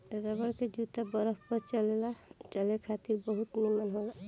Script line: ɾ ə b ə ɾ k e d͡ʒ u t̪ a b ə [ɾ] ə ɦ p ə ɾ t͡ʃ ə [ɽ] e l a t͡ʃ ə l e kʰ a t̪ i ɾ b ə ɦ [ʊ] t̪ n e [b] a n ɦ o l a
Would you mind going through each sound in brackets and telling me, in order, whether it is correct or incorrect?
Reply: correct, incorrect: l, incorrect: u, incorrect: m

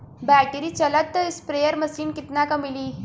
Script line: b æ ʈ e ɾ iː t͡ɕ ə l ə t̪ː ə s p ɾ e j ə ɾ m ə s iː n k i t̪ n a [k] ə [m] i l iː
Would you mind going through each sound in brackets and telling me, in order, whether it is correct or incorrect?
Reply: correct, correct

